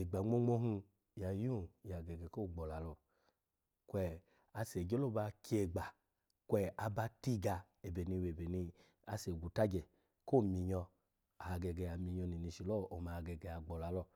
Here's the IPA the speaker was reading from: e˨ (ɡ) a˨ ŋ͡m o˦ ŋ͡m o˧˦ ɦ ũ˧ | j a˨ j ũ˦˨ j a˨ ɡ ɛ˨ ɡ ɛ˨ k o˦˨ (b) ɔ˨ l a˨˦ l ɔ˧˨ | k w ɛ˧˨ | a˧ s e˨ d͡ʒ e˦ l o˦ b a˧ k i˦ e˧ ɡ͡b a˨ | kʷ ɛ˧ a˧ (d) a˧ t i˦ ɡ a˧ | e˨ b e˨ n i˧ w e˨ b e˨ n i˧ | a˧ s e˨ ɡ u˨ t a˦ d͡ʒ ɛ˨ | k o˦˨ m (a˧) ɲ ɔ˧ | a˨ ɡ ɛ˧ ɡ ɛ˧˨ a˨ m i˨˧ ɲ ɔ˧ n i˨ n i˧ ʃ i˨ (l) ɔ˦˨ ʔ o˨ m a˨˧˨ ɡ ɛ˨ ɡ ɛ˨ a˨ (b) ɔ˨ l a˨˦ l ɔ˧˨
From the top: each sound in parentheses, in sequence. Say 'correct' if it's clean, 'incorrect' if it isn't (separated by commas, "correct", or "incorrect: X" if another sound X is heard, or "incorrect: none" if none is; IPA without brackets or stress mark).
incorrect: ɡ͡b, incorrect: ɡ͡b, incorrect: b, incorrect: i˧, correct, incorrect: ɡ͡b